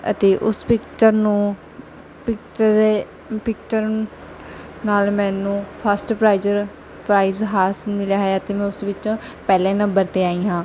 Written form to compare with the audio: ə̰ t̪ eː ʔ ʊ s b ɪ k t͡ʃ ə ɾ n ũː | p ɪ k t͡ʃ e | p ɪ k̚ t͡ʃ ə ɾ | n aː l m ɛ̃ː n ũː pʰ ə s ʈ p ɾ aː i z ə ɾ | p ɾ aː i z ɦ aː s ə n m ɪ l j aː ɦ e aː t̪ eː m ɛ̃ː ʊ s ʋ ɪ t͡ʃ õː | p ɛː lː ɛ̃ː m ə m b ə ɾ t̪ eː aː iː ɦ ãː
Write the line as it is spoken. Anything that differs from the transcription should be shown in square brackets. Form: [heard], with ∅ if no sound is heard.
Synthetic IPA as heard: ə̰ t̪ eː ʔ ʊ s [p] ɪ k t͡ʃ ə ɾ n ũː | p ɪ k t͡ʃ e | p ɪ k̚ t͡ʃ ə ɾ | n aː l m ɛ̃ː n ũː pʰ ə s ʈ p ɾ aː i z ə ɾ | p ɾ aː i z ɦ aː s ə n m ɪ l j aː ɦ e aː t̪ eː m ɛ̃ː ʊ s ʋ ɪ t͡ʃ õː | p ɛː [l] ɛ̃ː [n] ə m b ə ɾ t̪ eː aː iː ɦ ãː